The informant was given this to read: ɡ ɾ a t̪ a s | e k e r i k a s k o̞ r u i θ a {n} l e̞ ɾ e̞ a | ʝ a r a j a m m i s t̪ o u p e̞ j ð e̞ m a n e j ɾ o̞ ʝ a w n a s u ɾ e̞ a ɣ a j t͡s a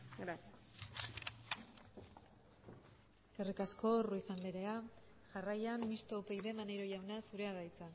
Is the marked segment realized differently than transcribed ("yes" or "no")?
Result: no